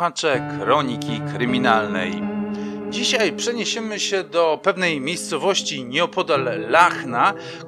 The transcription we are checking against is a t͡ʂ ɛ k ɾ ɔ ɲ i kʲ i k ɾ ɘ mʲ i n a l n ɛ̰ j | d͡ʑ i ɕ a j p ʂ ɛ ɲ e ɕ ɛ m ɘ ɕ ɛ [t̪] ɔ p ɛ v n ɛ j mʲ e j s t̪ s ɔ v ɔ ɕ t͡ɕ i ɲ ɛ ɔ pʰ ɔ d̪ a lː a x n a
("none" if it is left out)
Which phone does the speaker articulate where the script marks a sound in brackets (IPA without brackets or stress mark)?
d̪